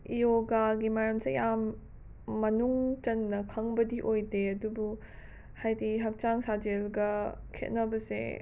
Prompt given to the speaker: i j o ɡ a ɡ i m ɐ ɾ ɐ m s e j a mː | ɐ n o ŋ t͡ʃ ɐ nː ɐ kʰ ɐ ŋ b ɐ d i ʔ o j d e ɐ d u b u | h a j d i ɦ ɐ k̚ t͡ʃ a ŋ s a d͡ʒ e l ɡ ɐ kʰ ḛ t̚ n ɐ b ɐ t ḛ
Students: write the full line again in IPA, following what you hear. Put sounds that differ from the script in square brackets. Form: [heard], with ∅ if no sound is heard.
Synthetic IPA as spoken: i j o ɡ a ɡ i m ɐ ɾ ɐ m s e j a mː | ɐ n [u] ŋ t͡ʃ ɐ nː ɐ kʰ ɐ ŋ b ɐ d i ʔ o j d e ɐ d u b u | h a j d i ɦ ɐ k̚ t͡ʃ a ŋ s a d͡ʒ e l ɡ ɐ kʰ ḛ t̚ n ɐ b ɐ [s] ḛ